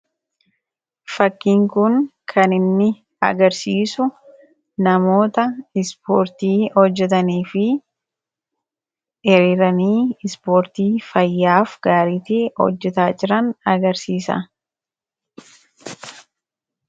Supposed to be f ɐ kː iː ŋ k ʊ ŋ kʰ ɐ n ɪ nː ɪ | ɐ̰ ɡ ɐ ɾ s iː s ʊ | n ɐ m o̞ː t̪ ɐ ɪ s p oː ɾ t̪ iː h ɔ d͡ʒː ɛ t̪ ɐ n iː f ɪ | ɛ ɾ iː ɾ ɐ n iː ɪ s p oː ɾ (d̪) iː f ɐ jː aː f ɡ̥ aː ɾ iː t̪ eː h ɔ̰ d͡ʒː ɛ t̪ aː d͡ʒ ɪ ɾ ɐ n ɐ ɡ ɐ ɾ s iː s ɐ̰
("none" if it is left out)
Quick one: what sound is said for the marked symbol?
t̪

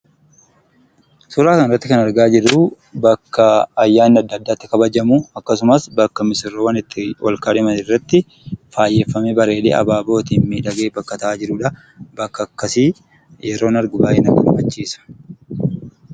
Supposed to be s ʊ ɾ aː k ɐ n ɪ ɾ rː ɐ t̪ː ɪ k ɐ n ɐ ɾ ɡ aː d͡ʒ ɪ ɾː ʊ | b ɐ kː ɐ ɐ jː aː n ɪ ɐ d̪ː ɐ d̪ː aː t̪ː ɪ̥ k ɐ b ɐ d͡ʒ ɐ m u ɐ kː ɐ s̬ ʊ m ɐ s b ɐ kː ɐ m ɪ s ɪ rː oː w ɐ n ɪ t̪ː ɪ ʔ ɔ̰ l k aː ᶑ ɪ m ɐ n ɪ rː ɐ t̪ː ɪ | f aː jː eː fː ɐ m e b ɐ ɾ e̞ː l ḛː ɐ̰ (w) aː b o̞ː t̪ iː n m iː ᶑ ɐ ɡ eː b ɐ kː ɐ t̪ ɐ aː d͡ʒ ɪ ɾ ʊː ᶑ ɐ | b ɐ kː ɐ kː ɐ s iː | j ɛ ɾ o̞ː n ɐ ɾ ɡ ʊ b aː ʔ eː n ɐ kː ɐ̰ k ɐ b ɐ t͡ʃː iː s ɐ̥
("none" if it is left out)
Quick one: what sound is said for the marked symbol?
b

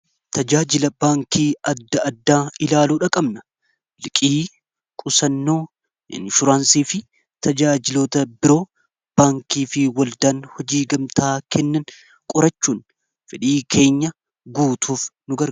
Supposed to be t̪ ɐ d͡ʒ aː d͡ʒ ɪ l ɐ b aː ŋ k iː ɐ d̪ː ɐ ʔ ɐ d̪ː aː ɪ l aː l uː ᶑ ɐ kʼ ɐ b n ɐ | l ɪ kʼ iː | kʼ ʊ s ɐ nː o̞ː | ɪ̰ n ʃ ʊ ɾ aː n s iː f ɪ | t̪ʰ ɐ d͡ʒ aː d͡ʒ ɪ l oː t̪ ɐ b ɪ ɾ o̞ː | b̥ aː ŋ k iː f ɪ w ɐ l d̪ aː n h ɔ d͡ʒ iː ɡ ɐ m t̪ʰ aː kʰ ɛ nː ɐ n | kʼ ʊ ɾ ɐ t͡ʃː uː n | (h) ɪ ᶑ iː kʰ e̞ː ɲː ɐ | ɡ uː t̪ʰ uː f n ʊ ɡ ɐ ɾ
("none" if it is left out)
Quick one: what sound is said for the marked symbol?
f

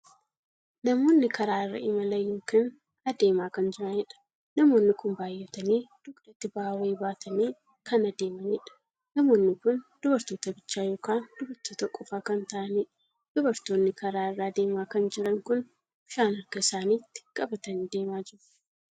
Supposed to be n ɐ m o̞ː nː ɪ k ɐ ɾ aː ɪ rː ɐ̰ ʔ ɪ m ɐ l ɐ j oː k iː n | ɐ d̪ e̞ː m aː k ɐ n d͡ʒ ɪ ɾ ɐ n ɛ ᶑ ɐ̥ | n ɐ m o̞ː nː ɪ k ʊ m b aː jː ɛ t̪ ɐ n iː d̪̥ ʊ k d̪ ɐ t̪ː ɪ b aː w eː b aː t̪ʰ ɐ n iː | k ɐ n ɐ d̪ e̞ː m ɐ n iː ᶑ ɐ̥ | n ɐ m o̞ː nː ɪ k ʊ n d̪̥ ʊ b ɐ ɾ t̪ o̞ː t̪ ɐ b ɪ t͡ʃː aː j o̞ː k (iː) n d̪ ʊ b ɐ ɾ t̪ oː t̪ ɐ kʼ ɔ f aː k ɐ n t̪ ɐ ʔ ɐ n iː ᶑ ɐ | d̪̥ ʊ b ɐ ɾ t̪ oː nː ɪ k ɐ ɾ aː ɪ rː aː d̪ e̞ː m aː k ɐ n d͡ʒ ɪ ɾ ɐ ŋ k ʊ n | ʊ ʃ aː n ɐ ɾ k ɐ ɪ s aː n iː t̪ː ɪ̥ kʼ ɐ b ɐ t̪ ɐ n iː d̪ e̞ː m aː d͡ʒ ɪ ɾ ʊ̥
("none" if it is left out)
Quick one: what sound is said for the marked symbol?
aː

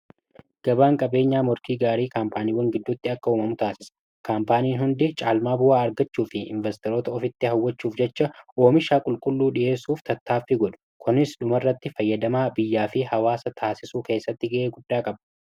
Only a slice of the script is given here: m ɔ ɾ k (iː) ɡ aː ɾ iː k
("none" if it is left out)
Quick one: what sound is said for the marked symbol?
iː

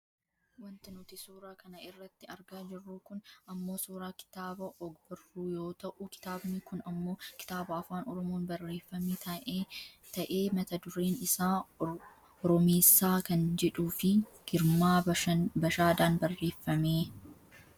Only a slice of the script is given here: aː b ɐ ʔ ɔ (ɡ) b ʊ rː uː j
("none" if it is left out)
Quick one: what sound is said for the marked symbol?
ɡ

